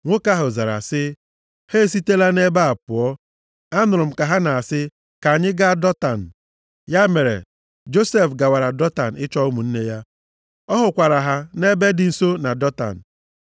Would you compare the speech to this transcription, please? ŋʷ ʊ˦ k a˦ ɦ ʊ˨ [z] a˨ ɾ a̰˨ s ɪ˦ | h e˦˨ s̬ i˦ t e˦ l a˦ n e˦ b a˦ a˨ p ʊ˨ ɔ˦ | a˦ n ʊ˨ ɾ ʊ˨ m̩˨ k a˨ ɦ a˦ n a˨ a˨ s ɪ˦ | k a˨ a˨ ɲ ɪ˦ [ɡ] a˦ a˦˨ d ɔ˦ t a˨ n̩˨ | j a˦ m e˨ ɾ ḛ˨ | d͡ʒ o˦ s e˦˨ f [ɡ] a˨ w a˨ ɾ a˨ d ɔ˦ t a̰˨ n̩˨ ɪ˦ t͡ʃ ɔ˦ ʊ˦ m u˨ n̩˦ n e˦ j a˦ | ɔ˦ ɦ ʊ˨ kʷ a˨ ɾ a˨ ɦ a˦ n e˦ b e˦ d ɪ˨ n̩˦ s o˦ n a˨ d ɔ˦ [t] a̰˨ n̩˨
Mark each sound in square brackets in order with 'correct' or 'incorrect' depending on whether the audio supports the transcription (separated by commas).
correct, correct, correct, correct